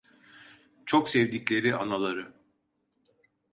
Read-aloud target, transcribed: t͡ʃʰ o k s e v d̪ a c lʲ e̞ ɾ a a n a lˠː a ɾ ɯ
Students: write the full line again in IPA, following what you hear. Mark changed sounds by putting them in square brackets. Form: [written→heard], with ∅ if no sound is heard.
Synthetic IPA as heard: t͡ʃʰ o k s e v d̪ [a→i] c lʲ e̞ ɾ [a→i] a n a [lˠː→lˠ] a ɾ ɯ

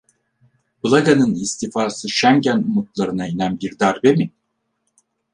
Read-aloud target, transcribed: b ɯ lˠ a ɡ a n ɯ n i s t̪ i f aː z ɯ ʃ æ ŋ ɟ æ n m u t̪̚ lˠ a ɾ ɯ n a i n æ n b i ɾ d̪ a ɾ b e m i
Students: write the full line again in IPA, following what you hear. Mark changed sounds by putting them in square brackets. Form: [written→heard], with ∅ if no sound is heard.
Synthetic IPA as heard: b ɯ lˠ a ɡ a n ɯ n i s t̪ i f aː [z→s] ɯ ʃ æ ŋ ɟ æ n m u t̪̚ lˠ a ɾ ɯ n a i n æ n b i ɾ d̪ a ɾ b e m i

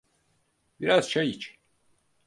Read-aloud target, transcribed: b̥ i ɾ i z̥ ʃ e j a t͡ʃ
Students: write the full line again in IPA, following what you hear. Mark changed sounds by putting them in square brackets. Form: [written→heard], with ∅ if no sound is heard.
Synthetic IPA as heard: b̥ i ɾ [i→a] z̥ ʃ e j [a→i] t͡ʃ

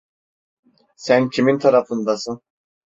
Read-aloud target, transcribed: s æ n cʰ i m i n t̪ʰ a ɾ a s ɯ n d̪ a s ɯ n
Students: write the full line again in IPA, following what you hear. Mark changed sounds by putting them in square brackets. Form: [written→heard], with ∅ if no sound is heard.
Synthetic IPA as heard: s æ n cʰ i m i n t̪ʰ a ɾ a [s→f] ɯ n d̪ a s ɯ n

